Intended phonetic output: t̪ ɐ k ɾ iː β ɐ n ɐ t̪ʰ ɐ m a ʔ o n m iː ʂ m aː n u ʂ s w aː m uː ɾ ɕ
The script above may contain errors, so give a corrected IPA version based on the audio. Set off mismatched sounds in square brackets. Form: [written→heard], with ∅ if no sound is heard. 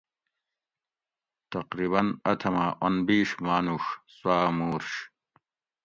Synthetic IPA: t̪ ɐ [k→q] ɾ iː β ɐ n ɐ t̪ʰ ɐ m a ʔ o n [m→b] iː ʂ m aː n u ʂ s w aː m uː ɾ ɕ